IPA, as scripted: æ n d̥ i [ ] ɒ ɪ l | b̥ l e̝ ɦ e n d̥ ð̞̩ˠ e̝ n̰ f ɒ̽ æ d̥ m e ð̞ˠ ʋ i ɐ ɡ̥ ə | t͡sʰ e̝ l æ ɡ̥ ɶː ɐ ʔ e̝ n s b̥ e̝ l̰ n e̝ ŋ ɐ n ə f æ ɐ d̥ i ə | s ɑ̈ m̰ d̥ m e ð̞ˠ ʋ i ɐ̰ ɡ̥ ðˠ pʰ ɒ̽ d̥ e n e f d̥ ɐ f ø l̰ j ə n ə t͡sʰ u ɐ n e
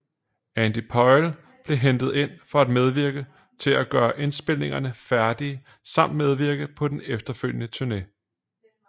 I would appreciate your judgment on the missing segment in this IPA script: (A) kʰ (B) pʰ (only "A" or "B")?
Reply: B